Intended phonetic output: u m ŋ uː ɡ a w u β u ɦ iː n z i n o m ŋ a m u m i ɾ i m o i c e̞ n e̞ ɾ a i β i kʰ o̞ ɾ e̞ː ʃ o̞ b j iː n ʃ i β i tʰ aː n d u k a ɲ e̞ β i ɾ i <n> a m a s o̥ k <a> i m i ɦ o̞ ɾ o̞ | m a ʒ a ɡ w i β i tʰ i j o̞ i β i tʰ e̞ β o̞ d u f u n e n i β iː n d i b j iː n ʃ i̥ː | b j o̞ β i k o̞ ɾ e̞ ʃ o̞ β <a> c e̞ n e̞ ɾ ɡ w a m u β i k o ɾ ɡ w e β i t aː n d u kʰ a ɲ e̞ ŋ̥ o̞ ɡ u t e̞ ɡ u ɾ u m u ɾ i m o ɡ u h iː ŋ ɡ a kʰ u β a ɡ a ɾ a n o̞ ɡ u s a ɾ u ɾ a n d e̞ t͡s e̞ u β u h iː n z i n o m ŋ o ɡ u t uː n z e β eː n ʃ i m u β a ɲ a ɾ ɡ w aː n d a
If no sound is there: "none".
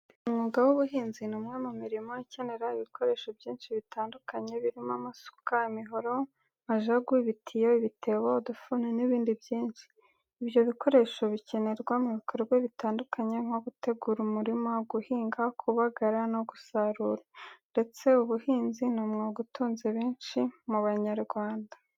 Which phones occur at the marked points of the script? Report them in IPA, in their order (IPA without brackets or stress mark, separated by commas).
m, a, i